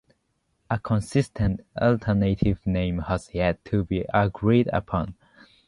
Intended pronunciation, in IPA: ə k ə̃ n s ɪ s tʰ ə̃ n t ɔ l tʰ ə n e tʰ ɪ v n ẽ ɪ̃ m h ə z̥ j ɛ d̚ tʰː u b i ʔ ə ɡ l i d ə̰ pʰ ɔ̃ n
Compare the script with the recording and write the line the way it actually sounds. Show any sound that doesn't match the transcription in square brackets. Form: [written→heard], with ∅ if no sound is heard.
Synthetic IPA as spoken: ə [k→kʰ] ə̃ n s ɪ s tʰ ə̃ n t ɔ l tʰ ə n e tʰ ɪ v n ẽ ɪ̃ m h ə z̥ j ɛ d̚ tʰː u b i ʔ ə ɡ [l→ɹ] i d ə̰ pʰ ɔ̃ n